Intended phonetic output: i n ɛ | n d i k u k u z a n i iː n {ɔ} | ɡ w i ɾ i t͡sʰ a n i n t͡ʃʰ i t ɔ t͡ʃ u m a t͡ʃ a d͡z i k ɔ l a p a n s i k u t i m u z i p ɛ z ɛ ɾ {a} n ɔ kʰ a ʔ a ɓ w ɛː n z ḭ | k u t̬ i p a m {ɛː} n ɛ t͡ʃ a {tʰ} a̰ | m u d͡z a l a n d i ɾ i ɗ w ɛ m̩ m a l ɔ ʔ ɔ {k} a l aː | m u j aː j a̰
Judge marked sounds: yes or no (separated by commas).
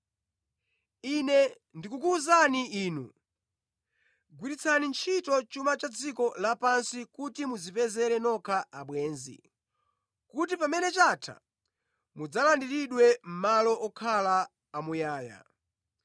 no, no, no, yes, no